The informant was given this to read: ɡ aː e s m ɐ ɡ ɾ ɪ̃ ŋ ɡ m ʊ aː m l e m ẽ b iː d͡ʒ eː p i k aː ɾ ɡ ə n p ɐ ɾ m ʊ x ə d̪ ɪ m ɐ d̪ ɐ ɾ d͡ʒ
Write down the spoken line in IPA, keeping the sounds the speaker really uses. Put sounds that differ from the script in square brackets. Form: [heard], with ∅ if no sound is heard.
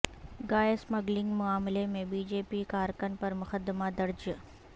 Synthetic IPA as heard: ɡ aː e s m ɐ ɡ [l] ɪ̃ ŋ ɡ m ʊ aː m l e m ẽ b iː d͡ʒ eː p i k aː ɾ [k] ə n p ɐ ɾ m ʊ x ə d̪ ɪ m [a] d̪ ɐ ɾ d͡ʒ